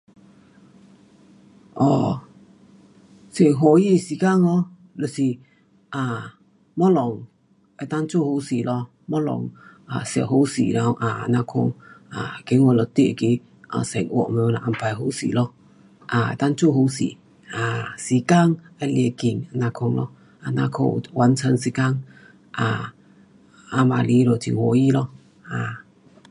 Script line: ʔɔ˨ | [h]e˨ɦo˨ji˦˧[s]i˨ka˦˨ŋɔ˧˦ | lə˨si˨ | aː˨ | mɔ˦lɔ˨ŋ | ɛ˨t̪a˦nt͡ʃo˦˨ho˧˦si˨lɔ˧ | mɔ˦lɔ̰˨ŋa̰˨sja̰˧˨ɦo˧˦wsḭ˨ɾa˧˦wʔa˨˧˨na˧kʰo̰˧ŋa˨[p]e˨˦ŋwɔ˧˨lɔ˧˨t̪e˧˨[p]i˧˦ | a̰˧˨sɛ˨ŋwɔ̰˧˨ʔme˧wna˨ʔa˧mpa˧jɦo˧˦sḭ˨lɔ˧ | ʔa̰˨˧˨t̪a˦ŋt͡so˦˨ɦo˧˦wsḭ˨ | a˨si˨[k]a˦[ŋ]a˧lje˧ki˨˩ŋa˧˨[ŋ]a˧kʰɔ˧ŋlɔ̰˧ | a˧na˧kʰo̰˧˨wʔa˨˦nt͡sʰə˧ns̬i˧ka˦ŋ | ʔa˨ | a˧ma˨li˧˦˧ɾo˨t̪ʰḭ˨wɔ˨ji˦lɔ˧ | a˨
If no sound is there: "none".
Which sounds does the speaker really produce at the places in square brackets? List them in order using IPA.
s, s, k, k, k, ŋ, n

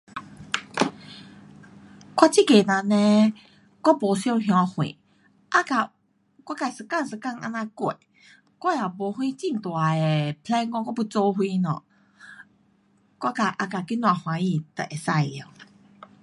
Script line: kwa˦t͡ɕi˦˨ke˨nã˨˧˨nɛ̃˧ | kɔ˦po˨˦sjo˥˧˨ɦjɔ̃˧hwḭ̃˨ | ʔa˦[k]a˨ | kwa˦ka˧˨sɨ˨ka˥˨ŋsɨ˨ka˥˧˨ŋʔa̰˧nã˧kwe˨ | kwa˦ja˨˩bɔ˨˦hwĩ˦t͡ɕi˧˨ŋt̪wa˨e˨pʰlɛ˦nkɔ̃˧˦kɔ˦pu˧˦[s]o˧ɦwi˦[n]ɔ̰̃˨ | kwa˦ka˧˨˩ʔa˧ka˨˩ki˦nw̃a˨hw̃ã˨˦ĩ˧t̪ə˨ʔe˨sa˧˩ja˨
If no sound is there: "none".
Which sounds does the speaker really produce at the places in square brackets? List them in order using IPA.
k, t͡s, n

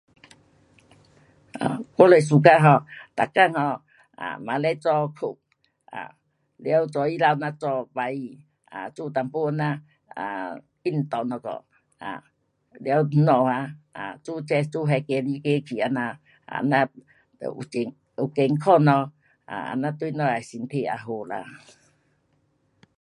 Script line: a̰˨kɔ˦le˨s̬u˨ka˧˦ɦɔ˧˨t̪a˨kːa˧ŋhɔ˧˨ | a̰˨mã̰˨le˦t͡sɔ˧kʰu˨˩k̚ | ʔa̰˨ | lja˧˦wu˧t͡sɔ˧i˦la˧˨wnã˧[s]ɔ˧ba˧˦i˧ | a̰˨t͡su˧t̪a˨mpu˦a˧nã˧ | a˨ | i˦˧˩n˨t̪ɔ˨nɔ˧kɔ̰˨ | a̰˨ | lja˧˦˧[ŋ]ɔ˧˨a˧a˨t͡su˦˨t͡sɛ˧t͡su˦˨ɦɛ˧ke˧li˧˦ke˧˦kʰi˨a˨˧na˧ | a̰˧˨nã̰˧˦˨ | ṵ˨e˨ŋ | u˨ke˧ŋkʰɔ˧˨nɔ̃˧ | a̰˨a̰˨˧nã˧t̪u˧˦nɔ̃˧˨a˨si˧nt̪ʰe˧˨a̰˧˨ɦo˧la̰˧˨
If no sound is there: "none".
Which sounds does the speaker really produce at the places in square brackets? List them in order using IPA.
t͡s, n

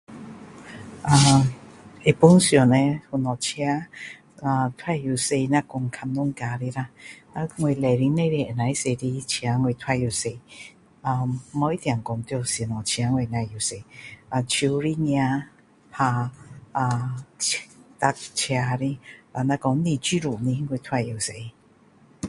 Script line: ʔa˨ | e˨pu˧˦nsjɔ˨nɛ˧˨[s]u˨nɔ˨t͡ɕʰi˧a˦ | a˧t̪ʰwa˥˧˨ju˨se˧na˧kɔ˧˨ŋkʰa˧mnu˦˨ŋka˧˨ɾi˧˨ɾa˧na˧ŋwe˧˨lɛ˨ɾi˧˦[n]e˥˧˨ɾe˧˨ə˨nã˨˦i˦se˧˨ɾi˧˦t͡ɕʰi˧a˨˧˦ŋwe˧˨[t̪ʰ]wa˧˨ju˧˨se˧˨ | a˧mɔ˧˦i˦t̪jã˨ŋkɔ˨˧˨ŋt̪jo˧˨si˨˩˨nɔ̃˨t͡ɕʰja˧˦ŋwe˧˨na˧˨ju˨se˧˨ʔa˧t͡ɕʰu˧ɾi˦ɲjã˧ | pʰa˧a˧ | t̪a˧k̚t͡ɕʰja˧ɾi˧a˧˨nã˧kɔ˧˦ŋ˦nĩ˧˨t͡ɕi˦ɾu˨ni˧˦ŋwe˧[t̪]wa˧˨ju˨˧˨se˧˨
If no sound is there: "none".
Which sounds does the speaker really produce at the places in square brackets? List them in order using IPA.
h, n, t̪ʰ, t̪ʰ

